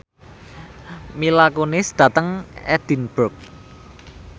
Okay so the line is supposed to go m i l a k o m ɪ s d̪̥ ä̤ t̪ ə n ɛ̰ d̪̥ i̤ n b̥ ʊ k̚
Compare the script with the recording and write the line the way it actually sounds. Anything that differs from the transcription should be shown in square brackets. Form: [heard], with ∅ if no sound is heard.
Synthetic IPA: m i l a k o [n] ɪ s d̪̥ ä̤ t̪ ə [ŋ] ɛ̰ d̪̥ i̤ n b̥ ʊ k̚